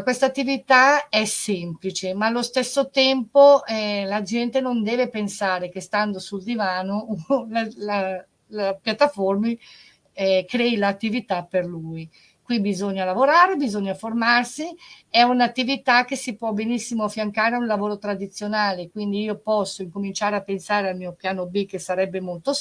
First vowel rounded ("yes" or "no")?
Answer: no